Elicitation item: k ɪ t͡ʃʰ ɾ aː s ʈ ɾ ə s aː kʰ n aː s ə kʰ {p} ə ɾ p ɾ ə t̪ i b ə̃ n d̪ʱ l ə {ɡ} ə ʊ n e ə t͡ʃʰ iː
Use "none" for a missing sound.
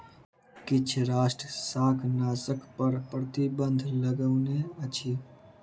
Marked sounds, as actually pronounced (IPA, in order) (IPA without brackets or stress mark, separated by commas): p, ɡ